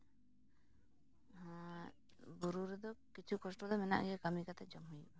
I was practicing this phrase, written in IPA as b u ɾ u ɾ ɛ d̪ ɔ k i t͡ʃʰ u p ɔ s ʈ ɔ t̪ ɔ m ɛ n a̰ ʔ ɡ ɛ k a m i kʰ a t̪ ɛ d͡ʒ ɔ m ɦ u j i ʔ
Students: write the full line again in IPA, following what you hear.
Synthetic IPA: b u ɾ u ɾ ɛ d̪ ɔ k i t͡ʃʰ u k ɔ s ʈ ɔ d̪ ɔ m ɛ n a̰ ʔ ɡ ɛ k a m i k a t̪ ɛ d͡ʒ ɔ m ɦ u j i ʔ

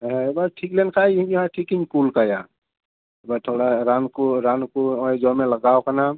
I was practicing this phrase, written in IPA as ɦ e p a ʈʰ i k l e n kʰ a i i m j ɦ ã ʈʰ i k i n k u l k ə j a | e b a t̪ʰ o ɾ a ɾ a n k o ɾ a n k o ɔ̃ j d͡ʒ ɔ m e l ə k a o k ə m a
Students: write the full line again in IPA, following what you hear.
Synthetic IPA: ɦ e b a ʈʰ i k l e n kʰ a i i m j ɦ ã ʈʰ i k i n k u l k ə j a | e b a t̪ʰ o ɽ a ɾ a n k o ɾ a n k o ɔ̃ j d͡ʒ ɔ m e l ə ɡ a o k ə n a

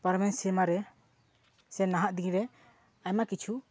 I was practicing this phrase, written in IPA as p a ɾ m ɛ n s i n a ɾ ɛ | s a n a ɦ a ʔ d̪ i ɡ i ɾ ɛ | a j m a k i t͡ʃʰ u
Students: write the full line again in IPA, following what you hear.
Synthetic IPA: p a ɾ m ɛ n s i m a ɾ ɛ | s ɛ n a ɦ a ʔ d̪ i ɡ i ɾ ɛ | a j m a k i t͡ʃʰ u

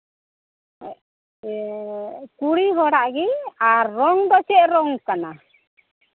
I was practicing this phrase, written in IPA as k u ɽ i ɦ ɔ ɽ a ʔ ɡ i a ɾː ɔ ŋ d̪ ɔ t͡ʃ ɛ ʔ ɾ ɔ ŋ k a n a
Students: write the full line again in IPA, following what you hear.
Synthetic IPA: k u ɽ i ɦ ɔ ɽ a ʔ ɡ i a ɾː ɔ ŋ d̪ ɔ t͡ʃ ɛ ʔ ɾ ɔ ŋ k a n a

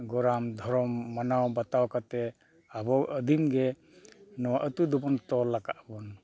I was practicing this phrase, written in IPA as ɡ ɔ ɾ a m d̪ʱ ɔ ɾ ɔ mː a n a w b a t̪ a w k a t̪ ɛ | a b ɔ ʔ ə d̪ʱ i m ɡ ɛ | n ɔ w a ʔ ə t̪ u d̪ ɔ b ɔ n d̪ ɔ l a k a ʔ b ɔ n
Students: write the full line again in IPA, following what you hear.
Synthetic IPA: ɡ ɔ ɾ a m d̪ʱ ɔ ɾ ɔ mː a n a w b a t̪ a w k a t̪ ɛ | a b ɔ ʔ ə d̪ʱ i m ɡ ɛ | n ɔ w a ʔ ə t̪ u d̪ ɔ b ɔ n t̪ ɔ l a k a ʔ b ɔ n

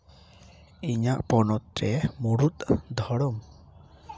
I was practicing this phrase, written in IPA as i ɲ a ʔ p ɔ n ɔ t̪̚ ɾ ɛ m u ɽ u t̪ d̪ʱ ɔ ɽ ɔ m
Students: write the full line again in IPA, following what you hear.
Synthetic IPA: i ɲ a ʔ p ɔ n ɔ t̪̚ ɾ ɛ m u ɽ u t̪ d̪ʱ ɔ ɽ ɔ m

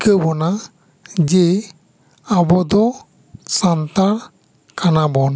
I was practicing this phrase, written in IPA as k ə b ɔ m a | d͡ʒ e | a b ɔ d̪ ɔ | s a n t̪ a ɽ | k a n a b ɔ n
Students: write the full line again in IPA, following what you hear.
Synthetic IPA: k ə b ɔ n a | d͡ʒ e | a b ɔ d̪ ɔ | s a n t̪ a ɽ | k a n a b ɔ n

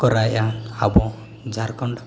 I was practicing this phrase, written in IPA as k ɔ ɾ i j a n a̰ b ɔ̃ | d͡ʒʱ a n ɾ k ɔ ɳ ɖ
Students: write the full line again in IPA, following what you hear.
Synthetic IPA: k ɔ ɾ a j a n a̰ b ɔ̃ | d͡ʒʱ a ɾ k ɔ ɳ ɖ

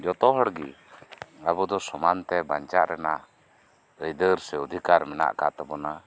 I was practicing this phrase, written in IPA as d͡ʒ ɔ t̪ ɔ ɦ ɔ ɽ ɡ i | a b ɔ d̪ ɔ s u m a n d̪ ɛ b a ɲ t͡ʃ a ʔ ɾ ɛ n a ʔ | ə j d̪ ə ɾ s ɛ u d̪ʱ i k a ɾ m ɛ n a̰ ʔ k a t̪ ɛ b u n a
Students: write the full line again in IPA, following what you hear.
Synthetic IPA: d͡ʒ ɔ t̪ ɔ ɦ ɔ ɽ ɡ i | a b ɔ d̪ ɔ s ɔ m a n t̪ ɛ b a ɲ t͡ʃ a ʔ ɾ ɛ n a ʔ | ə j d̪ ə ɾ s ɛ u d̪ʱ i k a ɾ m ɛ n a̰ ʔ k a t̪ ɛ b ɔ n a

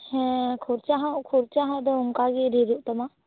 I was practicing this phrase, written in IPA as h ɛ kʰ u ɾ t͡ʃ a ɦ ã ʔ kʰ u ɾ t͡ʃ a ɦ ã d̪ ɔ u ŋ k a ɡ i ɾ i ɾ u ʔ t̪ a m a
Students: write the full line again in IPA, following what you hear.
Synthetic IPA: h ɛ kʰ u ɾ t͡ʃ a ɦ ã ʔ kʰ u ɾ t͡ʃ a ɦ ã d̪ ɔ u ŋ k a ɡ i ɾ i ɾ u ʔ t̪ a m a

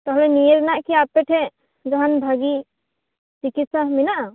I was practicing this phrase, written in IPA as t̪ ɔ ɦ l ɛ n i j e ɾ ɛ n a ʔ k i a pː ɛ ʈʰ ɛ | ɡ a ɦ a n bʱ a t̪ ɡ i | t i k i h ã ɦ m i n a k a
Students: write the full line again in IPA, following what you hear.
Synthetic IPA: t̪ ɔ ɦ l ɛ n i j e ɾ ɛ n a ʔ k i a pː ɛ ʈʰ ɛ | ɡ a ɦ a n bʱ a ɡ i | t i k i s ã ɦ m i n a ʔ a

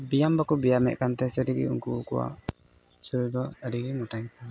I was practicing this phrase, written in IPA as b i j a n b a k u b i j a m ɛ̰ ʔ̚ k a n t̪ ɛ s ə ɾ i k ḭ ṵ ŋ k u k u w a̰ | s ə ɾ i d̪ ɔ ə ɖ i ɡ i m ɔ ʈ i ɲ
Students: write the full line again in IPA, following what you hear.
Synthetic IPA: b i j a m b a k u b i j a m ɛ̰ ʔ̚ k a n t̪ ɛ s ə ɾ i ɡ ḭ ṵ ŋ k u k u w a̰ | s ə ɾ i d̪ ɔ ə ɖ i ɡ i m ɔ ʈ a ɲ

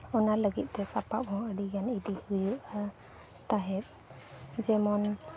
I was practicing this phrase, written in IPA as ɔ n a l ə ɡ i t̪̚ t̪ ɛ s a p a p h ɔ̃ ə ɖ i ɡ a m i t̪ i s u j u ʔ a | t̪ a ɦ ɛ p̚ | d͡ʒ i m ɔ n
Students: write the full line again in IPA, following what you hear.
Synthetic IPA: ɔ n a l ə ɡ i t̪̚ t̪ ɛ s a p a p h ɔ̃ ə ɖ i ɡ a n i d̪ i h u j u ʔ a | t̪ a ɦ ɛ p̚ | d͡ʒ ɛ m ɔ n

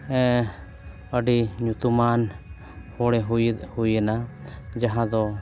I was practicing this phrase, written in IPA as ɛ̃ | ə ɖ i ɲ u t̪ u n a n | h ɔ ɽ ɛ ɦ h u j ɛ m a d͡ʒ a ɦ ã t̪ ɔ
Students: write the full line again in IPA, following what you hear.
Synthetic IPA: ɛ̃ | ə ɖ i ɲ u t̪ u m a n | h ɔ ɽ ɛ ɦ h u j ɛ n a d͡ʒ a ɦ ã d̪ ɔ

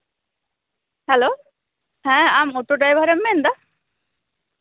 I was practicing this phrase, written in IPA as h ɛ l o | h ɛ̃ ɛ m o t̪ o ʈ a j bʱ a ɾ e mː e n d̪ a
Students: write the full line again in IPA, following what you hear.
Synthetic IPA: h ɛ l o | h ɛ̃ a m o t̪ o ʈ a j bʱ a ɾ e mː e n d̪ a

